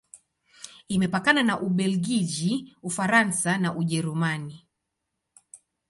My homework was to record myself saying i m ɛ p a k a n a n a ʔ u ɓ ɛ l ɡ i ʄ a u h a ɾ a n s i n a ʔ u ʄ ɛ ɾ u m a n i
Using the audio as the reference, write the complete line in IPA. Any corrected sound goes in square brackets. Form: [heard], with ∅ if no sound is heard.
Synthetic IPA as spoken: i m ɛ p a k a n a n a ʔ u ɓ ɛ l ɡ i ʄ [i] u [f] a ɾ a n s [a] n a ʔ u ʄ ɛ ɾ u m a n i